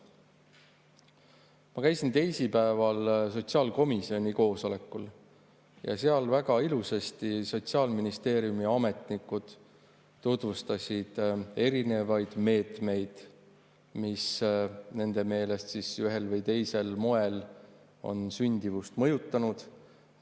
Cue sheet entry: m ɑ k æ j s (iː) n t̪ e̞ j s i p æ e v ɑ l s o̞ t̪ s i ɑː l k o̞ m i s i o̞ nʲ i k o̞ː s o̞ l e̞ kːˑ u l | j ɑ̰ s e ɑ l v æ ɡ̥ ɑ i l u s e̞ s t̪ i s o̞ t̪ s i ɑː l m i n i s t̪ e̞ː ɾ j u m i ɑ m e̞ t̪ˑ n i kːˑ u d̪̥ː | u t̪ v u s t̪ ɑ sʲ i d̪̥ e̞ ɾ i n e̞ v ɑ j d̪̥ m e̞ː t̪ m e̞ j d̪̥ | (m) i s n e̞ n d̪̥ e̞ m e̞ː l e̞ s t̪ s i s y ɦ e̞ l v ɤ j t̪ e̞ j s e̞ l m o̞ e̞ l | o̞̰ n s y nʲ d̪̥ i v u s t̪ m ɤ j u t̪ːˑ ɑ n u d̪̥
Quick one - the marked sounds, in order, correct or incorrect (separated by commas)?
incorrect, correct